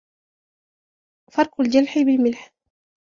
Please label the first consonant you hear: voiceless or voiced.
voiceless